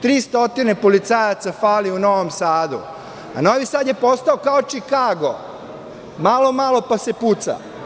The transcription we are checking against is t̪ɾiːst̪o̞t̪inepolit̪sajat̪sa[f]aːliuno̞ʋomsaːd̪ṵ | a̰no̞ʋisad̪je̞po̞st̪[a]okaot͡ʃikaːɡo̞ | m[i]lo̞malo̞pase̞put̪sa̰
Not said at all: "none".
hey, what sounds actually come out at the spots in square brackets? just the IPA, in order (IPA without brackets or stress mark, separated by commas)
f, a, a